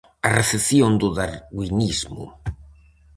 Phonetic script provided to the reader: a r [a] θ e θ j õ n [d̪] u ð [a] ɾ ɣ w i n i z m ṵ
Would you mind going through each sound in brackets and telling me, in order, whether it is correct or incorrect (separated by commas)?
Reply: incorrect, correct, correct